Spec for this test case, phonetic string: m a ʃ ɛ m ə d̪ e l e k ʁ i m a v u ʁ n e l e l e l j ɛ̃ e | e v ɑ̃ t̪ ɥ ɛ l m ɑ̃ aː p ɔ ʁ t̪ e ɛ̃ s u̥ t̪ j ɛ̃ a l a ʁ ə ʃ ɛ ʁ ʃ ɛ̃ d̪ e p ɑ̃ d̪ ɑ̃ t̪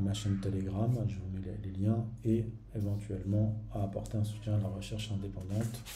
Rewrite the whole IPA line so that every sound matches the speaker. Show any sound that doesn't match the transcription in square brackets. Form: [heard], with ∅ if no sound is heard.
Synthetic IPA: m a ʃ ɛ [n] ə [t̪] e l e [ɡ] ʁ [a] m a [ʒ] u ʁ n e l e l e l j ɛ̃ e | e v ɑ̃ t̪ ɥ ɛ l m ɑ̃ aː p ɔ ʁ t̪ e ɛ̃ s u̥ t̪ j ɛ̃ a l a ʁ ə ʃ ɛ ʁ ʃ ɛ̃ d̪ e p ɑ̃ d̪ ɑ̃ t̪